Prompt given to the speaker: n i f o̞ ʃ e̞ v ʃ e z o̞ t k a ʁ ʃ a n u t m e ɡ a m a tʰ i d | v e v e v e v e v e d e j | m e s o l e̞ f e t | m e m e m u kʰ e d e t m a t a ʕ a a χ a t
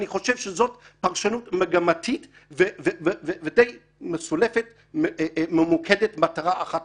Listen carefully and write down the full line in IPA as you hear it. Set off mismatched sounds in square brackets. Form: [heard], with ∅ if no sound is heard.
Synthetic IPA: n i [χ] o̞ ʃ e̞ v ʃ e z o̞ t [p] a ʁ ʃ a n u t m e ɡ a m a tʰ i [t] | v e v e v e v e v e d e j | m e s [u] l e̞ f e t | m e m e m u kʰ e d e t m a t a [ʁ] a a χ a t